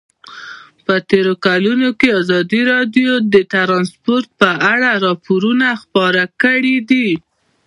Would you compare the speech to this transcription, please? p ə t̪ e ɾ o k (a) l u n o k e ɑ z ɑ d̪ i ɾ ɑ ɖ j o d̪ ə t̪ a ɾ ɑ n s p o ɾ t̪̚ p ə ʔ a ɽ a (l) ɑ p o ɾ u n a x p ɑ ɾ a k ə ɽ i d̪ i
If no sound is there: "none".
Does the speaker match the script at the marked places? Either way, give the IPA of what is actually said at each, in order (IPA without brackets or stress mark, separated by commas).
a, ɾ